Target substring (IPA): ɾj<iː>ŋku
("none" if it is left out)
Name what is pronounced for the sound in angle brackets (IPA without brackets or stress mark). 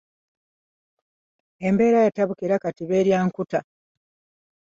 aː